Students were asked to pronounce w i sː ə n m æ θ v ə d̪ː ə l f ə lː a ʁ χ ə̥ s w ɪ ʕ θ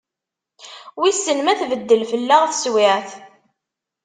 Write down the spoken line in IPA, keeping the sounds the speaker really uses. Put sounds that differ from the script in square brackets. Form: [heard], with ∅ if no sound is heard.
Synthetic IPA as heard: w i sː ə n m æ θ v ə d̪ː ə l f ə lː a ʁ [θ] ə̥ s w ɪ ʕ θ